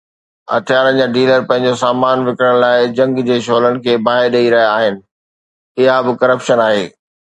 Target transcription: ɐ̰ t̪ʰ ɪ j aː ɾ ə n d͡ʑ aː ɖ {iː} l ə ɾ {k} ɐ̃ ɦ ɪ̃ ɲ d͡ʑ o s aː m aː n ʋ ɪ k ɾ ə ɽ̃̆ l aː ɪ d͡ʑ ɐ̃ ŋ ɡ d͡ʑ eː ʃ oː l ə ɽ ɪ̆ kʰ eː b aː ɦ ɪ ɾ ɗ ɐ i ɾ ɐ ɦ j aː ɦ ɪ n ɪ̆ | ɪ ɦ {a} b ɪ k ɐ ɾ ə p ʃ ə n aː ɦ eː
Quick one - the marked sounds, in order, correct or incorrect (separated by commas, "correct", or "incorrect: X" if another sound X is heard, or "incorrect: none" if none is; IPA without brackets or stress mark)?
correct, incorrect: p, correct